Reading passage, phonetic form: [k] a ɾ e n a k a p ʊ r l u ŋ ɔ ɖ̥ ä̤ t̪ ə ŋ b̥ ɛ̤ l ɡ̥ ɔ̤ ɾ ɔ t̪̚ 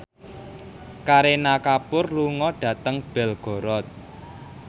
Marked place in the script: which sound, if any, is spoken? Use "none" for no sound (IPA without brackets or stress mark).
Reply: k